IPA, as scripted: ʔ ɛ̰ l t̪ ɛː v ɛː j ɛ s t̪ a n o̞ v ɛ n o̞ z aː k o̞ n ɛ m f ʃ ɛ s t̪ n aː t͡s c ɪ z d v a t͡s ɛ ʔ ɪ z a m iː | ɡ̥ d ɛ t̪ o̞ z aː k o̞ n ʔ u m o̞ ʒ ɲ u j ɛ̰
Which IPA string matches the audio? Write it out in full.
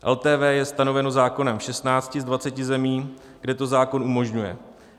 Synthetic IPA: ʔ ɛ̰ l t̪ ɛː v ɛː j ɛ s t̪ a n o̞ v ɛ n o̞ z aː k o̞ n ɛ m f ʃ ɛ s t̪ n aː t͡s c ɪ z d v a t͡s ɛ c ɪ z ɛ m iː | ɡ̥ d ɛ t̪ o̞ z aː k o̞ n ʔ u m o̞ ʒ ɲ u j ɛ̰